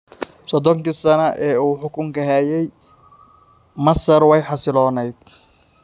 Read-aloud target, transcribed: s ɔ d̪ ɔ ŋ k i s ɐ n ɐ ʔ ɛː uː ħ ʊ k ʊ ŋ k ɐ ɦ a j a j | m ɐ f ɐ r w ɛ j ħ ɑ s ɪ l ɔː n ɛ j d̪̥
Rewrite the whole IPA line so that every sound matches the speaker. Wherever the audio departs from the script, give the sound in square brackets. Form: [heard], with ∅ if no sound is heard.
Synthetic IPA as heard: s ɔ d̪ ɔ ŋ k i s ɐ n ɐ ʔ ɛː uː ħ ʊ k ʊ ŋ k ɐ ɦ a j [ɛ] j | m ɐ [s] ɐ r w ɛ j ħ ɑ s ɪ l ɔː n ɛ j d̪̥